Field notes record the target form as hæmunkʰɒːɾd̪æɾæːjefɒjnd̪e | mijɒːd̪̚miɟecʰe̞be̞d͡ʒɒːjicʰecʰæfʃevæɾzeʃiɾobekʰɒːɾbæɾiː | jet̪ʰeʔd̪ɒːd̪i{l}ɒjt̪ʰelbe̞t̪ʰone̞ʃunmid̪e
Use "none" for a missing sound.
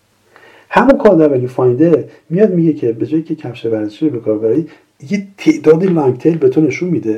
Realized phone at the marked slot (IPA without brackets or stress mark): l